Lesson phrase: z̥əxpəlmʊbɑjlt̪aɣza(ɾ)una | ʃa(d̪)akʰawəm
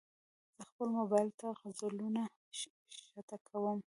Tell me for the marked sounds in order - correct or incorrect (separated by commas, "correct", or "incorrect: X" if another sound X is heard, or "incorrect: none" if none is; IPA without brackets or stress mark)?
incorrect: l, incorrect: t̪